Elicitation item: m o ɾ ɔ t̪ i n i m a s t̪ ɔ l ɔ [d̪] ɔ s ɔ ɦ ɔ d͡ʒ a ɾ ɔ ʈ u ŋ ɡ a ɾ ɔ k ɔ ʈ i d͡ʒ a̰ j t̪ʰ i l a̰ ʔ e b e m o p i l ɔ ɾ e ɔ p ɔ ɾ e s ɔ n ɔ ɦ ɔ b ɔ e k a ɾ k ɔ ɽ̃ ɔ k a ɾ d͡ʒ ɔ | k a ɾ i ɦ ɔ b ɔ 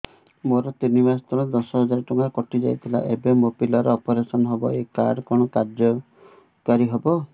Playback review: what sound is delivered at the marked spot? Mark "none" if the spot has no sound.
d̪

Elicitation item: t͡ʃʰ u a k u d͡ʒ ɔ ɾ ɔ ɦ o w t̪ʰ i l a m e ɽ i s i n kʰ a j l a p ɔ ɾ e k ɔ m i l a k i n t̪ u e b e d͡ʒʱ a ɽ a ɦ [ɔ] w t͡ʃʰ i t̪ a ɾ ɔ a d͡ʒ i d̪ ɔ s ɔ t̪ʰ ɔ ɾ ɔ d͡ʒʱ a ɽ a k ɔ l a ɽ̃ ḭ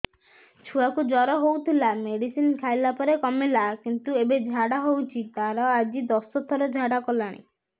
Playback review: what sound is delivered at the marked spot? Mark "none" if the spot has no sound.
o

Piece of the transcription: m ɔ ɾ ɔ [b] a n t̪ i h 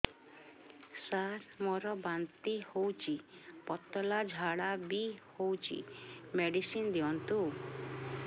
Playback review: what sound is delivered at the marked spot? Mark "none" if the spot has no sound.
b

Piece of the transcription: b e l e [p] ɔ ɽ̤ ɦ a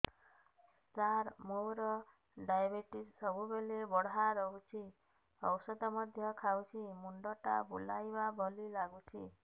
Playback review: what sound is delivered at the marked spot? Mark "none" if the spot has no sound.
b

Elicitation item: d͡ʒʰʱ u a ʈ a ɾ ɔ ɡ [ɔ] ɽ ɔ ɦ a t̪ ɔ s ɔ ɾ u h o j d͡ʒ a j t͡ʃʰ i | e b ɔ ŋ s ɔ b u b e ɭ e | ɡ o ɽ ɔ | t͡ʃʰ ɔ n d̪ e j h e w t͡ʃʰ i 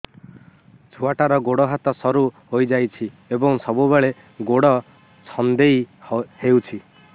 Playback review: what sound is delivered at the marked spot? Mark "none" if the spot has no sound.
o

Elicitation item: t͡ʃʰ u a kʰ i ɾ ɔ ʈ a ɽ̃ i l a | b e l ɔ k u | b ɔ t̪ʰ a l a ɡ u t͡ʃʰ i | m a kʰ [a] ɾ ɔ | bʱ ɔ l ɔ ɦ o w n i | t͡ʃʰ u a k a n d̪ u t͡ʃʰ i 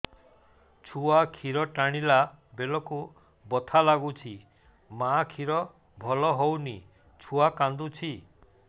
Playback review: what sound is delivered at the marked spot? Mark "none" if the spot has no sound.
i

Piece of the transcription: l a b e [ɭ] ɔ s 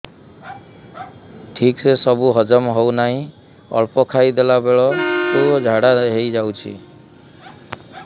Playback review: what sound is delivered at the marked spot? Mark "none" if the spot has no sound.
ɭ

